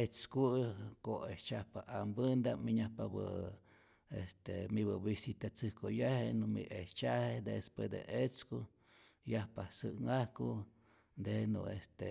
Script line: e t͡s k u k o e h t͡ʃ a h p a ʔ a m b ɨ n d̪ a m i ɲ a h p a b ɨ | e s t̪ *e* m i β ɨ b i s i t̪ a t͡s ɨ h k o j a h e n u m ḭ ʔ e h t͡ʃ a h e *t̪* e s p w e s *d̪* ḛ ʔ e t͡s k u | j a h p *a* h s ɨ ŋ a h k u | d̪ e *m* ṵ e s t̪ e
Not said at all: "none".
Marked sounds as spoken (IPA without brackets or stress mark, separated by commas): e, d̪, d̪, a, n